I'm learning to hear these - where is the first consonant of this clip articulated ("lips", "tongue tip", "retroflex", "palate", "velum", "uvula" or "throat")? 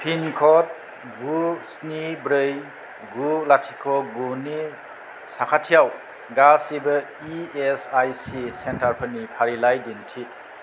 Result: lips